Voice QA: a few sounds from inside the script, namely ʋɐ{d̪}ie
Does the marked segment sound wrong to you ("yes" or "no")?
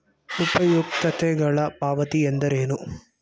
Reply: yes